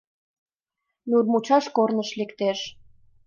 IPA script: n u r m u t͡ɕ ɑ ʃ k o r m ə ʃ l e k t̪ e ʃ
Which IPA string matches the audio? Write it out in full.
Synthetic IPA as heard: n u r m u t͡ɕ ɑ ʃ k o r n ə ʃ l e k t̪ e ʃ